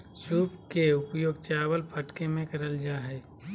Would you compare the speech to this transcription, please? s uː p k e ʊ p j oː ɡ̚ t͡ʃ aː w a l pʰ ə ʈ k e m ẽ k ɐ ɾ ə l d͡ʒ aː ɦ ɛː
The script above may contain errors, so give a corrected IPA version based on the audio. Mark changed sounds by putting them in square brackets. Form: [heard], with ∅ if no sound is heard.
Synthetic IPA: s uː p k e ʊ p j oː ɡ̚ t͡ʃ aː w [ə] l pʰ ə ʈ k e m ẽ k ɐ ɾ ə l d͡ʒ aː ɦ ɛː